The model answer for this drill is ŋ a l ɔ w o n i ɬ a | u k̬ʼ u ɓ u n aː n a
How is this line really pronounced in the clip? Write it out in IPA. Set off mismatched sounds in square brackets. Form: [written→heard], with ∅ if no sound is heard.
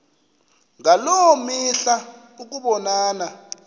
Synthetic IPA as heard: ŋ a l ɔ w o [n→m] i ɬ a | u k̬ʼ u ɓ [u→ɔ] n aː n a